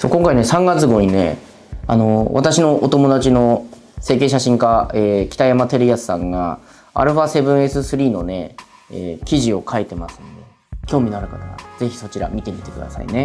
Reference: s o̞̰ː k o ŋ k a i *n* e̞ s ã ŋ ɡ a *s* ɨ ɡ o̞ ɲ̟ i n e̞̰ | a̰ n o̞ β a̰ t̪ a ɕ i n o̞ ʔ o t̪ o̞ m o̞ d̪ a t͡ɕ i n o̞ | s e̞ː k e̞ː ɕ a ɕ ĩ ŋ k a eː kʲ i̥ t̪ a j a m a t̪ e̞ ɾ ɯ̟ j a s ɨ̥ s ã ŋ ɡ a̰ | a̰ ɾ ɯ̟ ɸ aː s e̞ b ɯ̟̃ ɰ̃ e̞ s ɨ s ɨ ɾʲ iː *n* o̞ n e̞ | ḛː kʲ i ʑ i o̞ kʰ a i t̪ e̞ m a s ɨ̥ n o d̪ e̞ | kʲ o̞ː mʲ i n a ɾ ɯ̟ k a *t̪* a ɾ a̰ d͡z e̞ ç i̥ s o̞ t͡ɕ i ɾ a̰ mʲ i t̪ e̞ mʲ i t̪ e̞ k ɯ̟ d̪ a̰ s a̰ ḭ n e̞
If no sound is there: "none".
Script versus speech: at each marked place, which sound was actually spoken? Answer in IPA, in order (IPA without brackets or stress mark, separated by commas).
n, t͡s, n, t̪